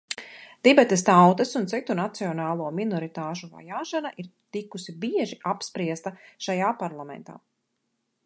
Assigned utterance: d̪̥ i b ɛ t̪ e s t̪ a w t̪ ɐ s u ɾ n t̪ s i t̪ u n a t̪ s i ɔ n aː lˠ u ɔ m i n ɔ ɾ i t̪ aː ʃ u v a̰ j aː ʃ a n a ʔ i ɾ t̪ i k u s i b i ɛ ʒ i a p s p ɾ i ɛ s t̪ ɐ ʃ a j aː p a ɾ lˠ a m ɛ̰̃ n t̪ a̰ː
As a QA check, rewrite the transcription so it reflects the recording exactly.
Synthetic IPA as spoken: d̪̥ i b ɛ t̪ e s t̪ a w t̪ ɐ s u n t̪ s i t̪ u n a t̪ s i ɔ n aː lˠ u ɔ m i n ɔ ɾ i t̪ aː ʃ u v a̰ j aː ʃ a n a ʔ i ɾ t̪ i k u s i b i ɛ ʒ i a p s p ɾ i ɛ s t̪ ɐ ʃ a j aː p a ɾ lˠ a m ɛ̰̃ n t̪ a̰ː